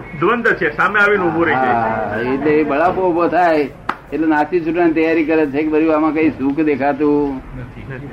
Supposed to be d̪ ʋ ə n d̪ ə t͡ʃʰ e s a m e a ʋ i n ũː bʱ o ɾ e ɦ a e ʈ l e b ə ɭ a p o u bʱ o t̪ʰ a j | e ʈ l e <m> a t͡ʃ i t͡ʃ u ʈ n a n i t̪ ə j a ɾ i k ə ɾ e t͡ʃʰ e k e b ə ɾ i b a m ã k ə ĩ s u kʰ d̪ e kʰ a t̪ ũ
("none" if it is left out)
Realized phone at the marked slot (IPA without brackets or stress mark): n